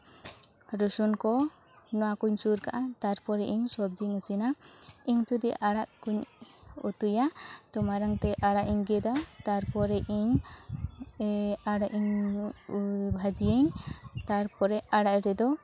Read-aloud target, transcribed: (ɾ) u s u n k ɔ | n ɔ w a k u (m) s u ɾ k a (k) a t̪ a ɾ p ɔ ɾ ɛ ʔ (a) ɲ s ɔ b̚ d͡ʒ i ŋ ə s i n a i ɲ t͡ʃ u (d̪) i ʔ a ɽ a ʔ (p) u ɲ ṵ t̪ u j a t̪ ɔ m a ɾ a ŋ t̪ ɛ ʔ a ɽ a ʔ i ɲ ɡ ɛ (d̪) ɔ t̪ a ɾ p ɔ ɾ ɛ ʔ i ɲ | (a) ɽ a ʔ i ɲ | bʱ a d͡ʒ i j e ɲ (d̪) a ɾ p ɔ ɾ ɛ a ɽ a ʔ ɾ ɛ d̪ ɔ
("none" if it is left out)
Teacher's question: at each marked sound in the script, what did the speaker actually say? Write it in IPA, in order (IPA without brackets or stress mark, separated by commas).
ɾ, ɲ, ʔ, i, d̪, k, d̪, a, t̪